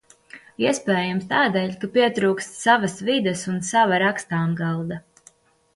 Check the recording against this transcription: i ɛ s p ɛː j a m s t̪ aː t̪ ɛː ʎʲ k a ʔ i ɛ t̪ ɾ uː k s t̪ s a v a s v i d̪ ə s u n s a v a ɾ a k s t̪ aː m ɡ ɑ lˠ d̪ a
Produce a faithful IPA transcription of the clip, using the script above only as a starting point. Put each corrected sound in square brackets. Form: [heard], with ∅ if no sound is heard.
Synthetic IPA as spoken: i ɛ s p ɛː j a m s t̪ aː [d̪] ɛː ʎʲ k a [p] i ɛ t̪ ɾ uː k s t̪ s a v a s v i d̪ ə s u n s a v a ɾ a k s t̪ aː m ɡ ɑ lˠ d̪ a